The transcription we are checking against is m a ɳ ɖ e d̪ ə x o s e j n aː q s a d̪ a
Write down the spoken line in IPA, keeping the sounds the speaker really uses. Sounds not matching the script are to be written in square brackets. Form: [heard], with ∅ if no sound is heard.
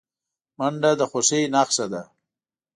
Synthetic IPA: m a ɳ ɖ [a] d̪ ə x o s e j n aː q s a d̪ a